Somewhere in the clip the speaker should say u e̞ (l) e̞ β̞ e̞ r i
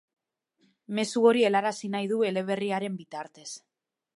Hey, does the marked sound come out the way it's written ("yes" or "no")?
yes